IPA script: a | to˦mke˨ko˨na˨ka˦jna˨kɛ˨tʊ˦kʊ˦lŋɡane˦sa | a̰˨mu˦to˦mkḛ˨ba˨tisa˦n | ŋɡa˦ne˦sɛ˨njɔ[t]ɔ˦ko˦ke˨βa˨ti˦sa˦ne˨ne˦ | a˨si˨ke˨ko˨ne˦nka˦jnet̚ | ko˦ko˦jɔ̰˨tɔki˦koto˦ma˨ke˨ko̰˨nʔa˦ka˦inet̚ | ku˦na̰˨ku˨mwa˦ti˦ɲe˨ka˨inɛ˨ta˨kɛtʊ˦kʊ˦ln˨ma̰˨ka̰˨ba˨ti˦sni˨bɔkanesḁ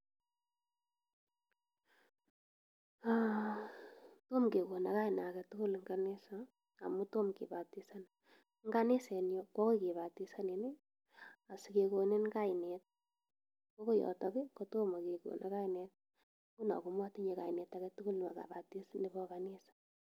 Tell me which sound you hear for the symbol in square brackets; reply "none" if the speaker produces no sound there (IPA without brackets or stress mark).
k